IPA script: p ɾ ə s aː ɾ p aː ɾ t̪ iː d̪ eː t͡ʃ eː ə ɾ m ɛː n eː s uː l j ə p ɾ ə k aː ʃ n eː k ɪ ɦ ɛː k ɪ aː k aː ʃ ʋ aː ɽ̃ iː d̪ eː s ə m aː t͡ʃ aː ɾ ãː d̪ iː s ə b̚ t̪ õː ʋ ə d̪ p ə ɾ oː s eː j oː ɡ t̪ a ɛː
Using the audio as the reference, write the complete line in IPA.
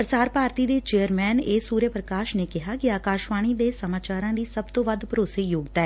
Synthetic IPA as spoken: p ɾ ə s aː ɾ p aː ɾ t̪ iː d̪ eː t͡ʃ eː ə ɾ m ɛː n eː s uː ɾ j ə p ɾ ə k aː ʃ n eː k ɪ ɦ aː k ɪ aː k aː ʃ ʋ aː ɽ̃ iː d̪ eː s ə m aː t͡ʃ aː ɾ ãː d̪ iː s ə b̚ t̪ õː ʋ ə d̪ p ə ɾ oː s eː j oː ɡ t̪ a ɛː